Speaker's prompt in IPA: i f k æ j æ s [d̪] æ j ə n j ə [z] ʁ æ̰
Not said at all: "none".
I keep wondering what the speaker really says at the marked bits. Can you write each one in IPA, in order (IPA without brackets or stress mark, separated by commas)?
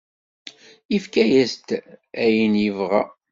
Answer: t̪, v